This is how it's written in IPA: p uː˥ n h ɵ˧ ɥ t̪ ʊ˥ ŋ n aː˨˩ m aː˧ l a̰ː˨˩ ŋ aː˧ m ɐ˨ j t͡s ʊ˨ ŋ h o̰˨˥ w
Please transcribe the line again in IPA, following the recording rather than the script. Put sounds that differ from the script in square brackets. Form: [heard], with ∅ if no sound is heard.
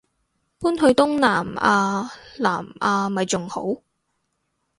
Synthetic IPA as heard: p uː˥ n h ɵ˧ ɥ t̪ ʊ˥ ŋ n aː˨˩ m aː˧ l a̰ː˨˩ [m] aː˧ m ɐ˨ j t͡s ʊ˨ ŋ h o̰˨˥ w